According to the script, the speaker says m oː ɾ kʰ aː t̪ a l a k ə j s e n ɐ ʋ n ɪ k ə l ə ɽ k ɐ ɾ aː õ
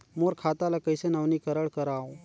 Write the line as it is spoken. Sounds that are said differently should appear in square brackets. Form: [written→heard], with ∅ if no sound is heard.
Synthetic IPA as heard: m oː ɾ kʰ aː t̪ a l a k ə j s e n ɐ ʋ n [ɪ→i] k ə [l→ɾ] ə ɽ k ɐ ɾ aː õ